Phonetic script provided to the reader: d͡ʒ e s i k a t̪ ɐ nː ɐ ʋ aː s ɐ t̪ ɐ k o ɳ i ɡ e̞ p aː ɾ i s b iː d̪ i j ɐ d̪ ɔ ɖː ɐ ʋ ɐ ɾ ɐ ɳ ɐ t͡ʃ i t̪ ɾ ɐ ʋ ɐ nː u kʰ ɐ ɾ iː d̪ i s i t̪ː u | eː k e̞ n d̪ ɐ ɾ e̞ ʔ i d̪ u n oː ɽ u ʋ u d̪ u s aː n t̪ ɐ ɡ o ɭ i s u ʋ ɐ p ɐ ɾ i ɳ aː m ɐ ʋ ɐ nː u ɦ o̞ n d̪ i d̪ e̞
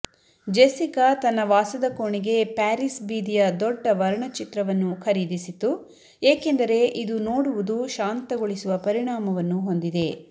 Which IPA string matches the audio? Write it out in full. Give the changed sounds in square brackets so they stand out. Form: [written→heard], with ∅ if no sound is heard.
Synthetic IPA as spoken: d͡ʒ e s i k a t̪ ɐ nː ɐ ʋ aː s ɐ [t̪→d̪] ɐ k o ɳ i ɡ e̞ p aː ɾ i s b iː d̪ i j ɐ d̪ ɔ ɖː ɐ ʋ ɐ ɾ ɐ ɳ ɐ t͡ʃ i t̪ ɾ ɐ ʋ ɐ nː u kʰ ɐ ɾ iː d̪ i s i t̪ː u | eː k e̞ n d̪ ɐ ɾ e̞ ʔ i d̪ u n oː ɽ u ʋ u d̪ u [s→ʃ] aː n t̪ ɐ ɡ o ɭ i s u ʋ ɐ p ɐ ɾ i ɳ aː m ɐ ʋ ɐ nː u ɦ o̞ n d̪ i d̪ e̞